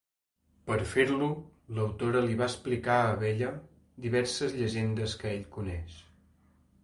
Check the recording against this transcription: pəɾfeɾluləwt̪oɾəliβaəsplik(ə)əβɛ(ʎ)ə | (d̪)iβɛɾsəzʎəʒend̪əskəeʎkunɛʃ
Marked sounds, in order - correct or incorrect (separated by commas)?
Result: incorrect, correct, correct